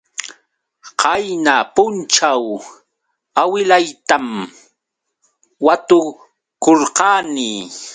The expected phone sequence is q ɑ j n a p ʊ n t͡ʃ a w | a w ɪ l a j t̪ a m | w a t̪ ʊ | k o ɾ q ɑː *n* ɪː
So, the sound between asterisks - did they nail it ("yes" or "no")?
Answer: yes